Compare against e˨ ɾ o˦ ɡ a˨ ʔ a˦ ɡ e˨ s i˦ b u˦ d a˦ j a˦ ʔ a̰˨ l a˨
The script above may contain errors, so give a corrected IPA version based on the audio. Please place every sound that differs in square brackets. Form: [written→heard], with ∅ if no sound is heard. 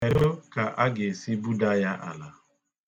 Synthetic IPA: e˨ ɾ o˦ [ɡ→k] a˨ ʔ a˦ ɡ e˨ s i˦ b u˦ d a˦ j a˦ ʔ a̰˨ l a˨